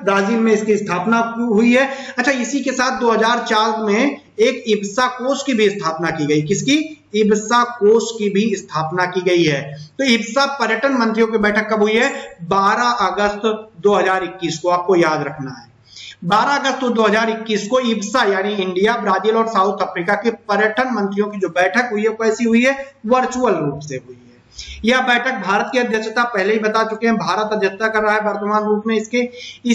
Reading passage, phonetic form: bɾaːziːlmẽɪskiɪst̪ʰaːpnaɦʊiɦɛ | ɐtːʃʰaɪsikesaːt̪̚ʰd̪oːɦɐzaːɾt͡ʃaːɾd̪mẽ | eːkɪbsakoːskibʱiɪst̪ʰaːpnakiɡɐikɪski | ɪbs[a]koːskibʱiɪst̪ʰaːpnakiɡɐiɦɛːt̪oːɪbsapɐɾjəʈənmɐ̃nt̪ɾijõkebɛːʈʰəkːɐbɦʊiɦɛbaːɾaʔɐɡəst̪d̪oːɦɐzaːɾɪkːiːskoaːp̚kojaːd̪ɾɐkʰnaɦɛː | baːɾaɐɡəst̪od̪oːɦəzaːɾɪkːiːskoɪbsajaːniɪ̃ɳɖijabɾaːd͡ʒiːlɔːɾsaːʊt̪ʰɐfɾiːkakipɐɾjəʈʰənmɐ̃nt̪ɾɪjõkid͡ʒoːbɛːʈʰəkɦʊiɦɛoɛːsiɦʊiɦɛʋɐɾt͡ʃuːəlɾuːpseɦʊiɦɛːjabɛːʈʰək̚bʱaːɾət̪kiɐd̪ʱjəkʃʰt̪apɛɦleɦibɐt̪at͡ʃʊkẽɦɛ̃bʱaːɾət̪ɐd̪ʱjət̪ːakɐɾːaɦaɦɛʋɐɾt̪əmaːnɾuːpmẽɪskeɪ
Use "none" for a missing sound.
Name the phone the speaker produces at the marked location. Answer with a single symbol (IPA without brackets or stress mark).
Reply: a